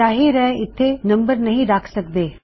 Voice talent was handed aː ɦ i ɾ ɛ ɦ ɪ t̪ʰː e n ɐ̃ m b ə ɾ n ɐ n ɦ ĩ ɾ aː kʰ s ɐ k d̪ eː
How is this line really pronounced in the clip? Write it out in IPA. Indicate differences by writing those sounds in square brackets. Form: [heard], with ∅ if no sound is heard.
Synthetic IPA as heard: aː ɦ i ɾ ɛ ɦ ɪ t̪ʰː e n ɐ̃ m b ə ɾ n ɐ [∅] ɦ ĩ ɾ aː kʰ s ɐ k d̪ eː